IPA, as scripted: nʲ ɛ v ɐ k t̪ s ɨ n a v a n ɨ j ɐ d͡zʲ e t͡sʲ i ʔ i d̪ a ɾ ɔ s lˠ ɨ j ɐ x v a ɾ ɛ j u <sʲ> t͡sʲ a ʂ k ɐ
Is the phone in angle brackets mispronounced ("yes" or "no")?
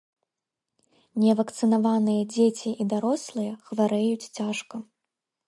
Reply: yes